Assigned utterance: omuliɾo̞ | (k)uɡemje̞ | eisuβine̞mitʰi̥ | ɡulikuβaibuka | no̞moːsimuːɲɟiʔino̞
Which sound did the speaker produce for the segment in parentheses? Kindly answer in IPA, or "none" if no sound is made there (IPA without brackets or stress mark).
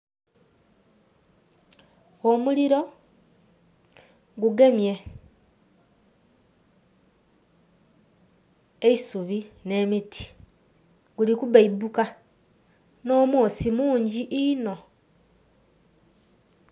ɡ